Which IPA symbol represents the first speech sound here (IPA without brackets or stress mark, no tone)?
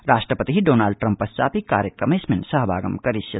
ɾ